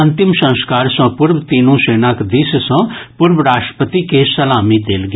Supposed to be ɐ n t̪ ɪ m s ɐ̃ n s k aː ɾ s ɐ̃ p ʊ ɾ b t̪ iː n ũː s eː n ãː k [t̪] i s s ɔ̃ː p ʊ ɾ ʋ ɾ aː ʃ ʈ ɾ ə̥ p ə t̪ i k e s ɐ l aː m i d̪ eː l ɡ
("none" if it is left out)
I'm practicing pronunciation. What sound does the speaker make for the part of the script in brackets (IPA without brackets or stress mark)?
d̪